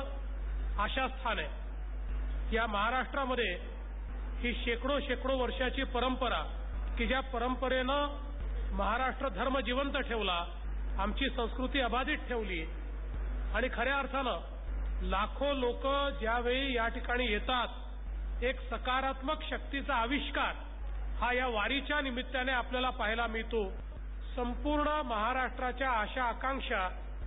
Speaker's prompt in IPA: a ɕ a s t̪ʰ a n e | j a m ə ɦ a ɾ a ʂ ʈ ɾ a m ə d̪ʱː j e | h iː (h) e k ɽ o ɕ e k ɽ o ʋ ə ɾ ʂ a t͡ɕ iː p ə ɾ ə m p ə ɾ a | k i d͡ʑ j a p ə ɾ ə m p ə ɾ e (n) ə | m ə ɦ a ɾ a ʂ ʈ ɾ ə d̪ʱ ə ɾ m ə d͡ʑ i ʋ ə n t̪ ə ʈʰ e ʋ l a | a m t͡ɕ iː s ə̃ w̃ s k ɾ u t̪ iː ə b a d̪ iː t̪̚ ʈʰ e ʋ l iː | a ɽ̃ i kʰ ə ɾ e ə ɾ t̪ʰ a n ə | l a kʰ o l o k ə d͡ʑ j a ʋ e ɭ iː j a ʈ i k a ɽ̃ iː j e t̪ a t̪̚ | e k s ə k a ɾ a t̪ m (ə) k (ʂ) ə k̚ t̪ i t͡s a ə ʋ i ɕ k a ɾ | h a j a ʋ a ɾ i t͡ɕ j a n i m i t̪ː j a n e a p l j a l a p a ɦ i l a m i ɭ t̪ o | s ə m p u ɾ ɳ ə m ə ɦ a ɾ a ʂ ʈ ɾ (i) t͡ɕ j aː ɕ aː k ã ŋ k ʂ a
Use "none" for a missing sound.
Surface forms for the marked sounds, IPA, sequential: ɕ, n, ə, ɕ, a

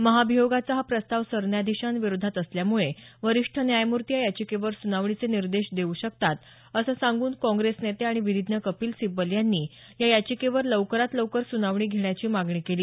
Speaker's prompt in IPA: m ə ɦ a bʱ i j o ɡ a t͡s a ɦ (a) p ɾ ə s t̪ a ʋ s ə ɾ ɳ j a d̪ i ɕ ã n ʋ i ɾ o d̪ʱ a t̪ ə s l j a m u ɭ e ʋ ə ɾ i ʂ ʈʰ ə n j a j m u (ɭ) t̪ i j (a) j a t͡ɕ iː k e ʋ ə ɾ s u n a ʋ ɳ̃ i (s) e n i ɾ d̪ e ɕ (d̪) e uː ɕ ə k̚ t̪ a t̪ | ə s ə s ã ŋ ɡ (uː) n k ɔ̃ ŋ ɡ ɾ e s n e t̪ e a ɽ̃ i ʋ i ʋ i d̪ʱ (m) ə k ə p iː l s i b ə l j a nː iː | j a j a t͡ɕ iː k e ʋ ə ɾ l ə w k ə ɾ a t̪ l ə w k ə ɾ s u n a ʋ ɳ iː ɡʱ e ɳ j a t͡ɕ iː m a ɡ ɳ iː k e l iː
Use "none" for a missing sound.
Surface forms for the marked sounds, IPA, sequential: a, ɾ, a, t͡s, d̪, uː, n

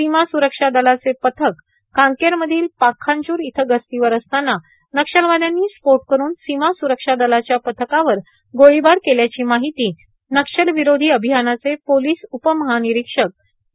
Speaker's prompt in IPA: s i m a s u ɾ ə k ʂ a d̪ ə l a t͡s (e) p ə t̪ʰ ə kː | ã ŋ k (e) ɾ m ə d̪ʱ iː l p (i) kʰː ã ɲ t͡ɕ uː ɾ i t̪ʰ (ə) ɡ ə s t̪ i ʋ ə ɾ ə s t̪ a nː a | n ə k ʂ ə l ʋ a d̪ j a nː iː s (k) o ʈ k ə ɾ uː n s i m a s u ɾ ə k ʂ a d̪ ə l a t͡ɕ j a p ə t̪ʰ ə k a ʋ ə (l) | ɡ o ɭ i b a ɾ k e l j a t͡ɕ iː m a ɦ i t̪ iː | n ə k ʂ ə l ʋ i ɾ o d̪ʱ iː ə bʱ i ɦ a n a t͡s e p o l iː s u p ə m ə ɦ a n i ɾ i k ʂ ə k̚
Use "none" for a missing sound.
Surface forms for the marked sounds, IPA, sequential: e, e, a, ə, p, ɾ

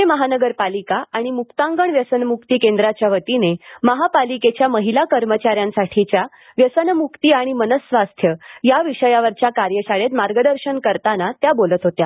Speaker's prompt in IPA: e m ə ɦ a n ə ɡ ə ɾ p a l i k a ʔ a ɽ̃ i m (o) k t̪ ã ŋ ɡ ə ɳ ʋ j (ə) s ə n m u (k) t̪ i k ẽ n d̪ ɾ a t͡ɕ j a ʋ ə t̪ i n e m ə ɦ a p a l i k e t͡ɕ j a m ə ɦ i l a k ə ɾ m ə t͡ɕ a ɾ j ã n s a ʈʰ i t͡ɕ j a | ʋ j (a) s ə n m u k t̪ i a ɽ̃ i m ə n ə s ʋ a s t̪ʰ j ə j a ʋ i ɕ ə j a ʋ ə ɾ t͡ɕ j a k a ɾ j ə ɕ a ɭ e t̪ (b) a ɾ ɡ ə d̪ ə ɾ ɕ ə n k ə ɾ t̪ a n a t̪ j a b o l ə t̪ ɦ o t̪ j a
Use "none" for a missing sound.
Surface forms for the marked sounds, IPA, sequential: u, ə, k, ə, m

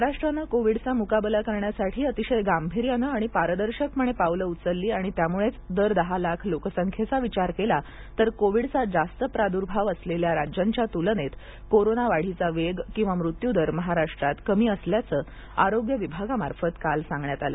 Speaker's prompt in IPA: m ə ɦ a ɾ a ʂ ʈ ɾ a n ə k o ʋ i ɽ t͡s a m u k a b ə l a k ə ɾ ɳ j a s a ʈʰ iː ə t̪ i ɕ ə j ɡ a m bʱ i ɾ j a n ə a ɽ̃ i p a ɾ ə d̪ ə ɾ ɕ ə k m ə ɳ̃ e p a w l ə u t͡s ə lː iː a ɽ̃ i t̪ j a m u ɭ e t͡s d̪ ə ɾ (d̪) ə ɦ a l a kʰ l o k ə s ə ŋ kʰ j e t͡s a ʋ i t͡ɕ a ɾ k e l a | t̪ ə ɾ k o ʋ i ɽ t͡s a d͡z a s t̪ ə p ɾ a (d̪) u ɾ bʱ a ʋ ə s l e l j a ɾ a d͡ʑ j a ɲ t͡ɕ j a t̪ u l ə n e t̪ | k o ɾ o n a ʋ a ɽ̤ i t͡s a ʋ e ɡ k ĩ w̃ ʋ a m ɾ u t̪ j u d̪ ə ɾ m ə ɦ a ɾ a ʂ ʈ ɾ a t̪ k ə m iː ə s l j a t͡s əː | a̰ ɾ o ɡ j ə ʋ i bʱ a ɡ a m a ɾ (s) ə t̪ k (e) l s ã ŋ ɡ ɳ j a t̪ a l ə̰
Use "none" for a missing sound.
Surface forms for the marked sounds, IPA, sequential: d̪, d̪, f, a

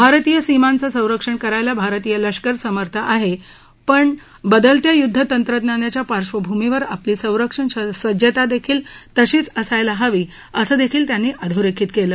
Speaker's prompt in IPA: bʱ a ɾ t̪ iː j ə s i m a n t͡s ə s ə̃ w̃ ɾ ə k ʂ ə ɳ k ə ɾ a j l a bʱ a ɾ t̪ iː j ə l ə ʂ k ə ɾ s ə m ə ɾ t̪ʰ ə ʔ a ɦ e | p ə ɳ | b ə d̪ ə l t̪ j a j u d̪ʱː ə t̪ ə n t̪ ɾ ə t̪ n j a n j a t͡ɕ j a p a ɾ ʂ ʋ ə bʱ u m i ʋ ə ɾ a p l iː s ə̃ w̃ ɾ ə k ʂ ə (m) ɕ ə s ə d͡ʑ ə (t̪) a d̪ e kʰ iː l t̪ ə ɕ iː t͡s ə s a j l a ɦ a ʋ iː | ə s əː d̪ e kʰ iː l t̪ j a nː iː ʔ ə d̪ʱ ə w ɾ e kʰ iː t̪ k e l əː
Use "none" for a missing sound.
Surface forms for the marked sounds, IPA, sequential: ɳ, t̪

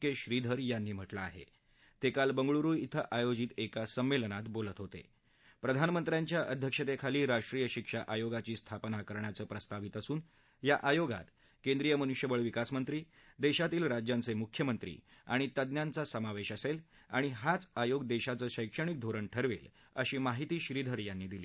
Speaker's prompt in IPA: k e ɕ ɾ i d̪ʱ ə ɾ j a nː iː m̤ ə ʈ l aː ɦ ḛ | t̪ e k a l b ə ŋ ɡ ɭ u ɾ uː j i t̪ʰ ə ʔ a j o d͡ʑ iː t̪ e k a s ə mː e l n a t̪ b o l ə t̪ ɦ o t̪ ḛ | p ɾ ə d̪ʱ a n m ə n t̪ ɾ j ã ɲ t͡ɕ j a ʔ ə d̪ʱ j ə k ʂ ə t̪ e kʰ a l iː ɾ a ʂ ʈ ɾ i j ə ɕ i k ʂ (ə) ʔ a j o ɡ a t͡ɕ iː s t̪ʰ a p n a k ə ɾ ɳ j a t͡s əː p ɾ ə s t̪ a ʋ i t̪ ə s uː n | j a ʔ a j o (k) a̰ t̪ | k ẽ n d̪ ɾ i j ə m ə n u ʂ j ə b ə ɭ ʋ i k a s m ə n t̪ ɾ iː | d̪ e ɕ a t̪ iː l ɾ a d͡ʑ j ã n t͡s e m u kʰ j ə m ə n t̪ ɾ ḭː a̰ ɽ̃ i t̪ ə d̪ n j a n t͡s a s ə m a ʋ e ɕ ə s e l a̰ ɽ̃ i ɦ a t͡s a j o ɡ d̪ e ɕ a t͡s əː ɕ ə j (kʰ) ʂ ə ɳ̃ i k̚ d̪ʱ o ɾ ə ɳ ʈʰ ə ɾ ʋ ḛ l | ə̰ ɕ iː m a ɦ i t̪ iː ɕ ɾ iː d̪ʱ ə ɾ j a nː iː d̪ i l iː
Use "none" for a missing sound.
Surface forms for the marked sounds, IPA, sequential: a, ɡ, k

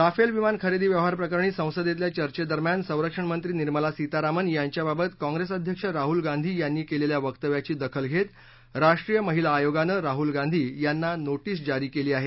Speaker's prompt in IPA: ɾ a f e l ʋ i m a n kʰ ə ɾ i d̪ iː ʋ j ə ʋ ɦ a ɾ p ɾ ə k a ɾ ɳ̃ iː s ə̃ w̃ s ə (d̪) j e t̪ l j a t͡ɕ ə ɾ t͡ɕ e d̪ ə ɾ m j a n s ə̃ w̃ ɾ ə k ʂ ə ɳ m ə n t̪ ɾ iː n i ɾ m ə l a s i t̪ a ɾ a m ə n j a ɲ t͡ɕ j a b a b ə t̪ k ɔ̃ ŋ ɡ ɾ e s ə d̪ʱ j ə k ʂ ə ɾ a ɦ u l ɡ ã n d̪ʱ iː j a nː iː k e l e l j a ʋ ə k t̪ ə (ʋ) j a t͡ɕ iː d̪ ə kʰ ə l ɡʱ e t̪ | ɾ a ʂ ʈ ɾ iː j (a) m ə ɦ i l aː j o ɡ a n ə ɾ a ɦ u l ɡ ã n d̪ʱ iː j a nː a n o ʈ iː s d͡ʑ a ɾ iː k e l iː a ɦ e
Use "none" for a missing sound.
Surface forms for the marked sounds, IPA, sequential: d̪, ʋ, ə

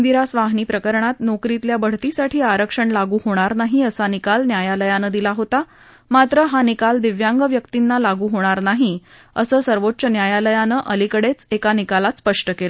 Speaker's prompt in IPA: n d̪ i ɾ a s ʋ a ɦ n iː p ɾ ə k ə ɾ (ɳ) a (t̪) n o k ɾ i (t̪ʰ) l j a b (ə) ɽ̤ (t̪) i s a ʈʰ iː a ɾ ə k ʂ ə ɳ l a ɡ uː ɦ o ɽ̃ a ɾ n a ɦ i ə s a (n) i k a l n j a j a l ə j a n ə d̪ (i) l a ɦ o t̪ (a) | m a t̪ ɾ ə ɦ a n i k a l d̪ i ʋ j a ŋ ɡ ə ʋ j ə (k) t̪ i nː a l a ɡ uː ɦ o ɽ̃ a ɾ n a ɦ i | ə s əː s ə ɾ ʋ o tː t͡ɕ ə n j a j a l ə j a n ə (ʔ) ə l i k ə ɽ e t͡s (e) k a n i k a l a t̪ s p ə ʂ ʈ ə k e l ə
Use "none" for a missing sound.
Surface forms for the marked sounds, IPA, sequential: ɳ, t̪, t̪, ə, t̪, n, i, a, k, ʔ, e

